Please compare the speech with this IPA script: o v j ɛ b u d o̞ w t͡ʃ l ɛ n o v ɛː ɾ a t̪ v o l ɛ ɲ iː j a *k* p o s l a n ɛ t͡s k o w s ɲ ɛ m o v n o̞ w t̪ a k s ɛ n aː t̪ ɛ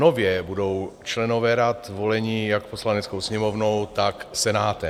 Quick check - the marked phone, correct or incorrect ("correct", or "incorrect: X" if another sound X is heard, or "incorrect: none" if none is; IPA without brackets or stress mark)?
correct